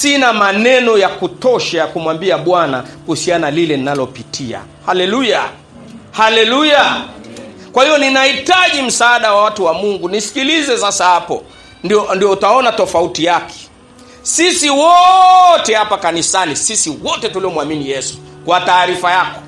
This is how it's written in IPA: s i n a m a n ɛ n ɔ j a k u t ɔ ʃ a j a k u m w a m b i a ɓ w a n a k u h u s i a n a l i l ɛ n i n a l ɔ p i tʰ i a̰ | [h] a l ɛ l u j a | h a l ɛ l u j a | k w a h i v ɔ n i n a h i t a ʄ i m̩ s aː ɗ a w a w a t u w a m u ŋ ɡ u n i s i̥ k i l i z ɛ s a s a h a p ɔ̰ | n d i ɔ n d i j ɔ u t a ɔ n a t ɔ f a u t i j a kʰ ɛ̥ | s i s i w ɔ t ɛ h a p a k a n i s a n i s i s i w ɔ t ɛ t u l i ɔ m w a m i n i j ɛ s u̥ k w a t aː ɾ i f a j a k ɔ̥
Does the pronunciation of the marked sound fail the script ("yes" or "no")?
no